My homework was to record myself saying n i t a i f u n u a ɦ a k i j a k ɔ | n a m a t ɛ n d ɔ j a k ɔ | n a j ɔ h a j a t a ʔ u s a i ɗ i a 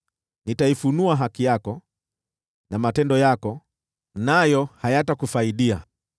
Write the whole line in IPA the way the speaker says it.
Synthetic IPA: n i t a i f u n u a ɦ a k i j a k ɔ | n a m a t ɛ n d ɔ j a k ɔ | n a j ɔ h a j a t a k u f a i ɗ i a